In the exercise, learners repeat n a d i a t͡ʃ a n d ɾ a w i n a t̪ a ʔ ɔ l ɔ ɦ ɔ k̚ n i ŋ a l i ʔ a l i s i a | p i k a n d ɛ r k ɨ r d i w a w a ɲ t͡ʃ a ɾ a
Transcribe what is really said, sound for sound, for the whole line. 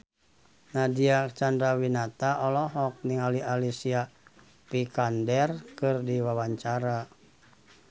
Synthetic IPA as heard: n a d i a t͡ʃ a n d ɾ a w i n a t̪ a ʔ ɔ l ɔ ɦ ɔ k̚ n i ŋ a l i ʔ a l i s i a | p i k a n d ɛ r k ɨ r d i w a w a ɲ t͡ʃ a ɾ a

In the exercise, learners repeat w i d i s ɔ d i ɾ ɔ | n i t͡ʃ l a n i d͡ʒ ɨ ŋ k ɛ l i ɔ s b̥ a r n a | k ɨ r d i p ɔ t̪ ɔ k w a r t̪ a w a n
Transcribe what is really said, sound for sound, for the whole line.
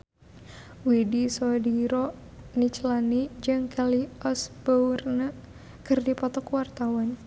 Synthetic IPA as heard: w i d i s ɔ d i ɾ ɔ | n i t͡ʃ l a n i d͡ʒ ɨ ŋ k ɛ l i ɔ s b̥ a r n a | k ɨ r d i p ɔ t̪ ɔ k w a r t̪ a w a n

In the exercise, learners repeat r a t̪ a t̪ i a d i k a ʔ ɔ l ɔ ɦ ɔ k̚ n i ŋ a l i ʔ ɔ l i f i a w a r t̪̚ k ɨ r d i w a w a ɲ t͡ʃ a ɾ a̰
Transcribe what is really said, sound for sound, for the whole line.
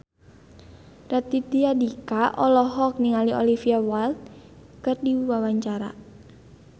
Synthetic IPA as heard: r a t̪ i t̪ i a d i k a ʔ ɔ l ɔ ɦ ɔ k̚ n i ŋ a l i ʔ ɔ l i f i a w a l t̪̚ k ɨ r d i w a w a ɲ t͡ʃ a ɾ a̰

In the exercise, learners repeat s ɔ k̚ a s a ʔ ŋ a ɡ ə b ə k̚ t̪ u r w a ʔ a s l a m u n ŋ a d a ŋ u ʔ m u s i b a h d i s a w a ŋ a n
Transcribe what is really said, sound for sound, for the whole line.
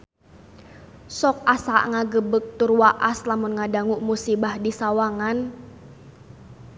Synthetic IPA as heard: s ɔ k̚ a s a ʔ ŋ a ɡ ə b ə k̚ t̪ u r w a ʔ a s l a m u n ŋ a d a ŋ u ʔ m u s i b a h d i s a w a ŋ a n

